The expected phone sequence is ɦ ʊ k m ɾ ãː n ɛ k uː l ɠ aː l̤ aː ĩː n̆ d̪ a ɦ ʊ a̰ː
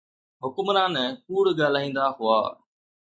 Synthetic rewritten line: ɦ ʊ k m ɾ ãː n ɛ k uː ɽ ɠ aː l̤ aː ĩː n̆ d̪ a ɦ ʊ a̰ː